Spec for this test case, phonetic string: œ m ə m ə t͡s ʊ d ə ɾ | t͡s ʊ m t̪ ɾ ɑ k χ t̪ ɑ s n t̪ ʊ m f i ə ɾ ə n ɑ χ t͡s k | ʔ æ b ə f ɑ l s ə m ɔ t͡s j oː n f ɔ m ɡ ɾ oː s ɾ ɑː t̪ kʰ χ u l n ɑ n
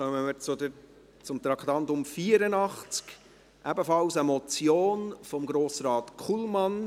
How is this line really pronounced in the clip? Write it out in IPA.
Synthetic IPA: œ m ə m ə t͡s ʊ d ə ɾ | t͡s ʊ m t̪ ɾ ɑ k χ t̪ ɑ n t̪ ʊ m f i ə ɾ ə n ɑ χ t͡s k | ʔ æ b ə f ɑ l s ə m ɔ t͡s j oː n f ɔ m ɡ ɾ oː s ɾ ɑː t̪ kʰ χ u l m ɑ n